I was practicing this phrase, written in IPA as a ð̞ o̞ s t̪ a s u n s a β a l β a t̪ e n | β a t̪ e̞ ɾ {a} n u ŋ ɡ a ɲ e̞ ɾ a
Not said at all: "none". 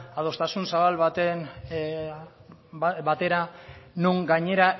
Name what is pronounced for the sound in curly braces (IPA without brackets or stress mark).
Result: a